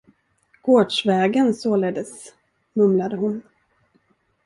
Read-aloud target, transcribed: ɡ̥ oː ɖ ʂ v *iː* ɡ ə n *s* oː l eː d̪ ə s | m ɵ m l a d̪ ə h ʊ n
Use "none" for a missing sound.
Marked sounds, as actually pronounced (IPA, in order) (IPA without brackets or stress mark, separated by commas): ɛː, s